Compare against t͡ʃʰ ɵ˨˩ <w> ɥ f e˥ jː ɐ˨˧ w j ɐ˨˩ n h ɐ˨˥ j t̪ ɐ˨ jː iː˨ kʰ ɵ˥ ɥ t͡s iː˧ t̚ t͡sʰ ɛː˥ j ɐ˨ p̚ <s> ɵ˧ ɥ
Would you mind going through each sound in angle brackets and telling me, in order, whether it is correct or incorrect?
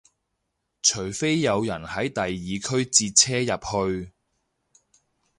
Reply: incorrect: none, incorrect: h

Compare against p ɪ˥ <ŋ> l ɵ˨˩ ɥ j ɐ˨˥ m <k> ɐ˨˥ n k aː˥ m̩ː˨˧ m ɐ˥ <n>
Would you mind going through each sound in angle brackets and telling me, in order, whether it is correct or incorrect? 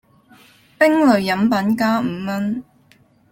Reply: correct, incorrect: p, correct

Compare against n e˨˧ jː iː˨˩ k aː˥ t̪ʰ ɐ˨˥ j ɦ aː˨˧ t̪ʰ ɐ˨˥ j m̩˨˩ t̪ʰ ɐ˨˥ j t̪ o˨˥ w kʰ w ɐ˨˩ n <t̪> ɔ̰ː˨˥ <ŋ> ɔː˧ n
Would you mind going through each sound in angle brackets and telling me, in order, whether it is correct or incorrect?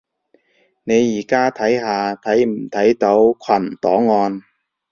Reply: correct, correct

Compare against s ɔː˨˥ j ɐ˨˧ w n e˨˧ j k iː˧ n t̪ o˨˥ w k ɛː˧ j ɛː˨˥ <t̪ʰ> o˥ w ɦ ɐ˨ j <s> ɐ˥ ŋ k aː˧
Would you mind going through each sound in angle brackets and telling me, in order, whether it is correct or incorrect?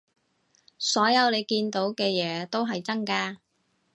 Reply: incorrect: t̪, incorrect: t͡s

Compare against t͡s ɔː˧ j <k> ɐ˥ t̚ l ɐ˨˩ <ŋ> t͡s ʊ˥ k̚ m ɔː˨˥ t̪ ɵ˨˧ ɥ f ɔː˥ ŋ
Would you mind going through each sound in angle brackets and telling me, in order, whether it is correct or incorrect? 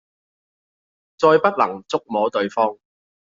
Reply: incorrect: p, correct

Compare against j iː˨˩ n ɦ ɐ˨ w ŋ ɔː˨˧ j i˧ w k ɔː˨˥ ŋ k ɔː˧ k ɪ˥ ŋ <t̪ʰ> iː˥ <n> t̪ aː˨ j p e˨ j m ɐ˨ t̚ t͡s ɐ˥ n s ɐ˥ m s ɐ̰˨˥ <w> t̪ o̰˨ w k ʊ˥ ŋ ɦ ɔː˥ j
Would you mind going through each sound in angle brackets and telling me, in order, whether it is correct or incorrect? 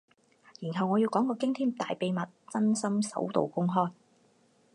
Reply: correct, incorrect: m, correct

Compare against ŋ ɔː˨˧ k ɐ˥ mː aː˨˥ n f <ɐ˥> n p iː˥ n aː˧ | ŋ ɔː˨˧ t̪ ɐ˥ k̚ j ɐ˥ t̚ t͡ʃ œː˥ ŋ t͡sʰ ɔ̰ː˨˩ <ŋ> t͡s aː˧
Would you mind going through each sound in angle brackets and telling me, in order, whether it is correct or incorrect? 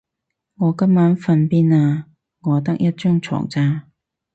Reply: incorrect: ɐ˧, correct

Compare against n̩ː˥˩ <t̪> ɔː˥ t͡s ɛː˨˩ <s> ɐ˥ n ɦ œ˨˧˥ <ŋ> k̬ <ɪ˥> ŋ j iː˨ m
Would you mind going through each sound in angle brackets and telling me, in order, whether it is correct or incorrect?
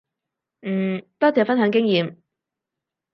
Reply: correct, incorrect: f, correct, correct

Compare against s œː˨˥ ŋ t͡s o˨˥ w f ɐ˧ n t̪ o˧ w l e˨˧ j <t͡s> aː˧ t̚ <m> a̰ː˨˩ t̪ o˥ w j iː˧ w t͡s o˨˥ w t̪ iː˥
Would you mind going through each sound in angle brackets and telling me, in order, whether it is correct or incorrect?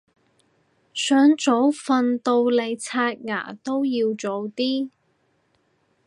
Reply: incorrect: t͡sʰ, incorrect: ŋ

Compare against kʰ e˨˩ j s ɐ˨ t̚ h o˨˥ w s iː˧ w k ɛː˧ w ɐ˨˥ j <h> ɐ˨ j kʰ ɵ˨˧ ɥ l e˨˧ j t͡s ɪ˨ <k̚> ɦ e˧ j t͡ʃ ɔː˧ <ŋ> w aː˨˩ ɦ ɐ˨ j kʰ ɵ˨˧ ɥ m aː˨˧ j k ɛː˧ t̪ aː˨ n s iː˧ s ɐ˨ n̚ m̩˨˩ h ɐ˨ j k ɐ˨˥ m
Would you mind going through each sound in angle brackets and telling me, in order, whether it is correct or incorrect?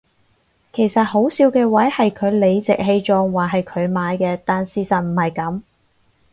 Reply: correct, correct, correct

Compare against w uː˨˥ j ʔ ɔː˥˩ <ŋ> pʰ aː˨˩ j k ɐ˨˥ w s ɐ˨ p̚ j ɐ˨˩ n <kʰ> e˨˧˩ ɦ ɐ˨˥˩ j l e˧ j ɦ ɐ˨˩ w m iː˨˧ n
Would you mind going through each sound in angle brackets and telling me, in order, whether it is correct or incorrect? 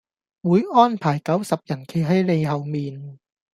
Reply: incorrect: n, correct

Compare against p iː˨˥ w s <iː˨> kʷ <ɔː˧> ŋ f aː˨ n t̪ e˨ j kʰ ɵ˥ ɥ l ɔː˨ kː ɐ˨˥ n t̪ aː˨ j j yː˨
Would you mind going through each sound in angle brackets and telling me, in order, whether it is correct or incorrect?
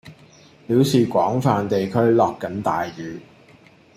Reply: correct, incorrect: ɔː˨˥

